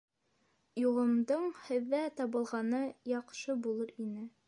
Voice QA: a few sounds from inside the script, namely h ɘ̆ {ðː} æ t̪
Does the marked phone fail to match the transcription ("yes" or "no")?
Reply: no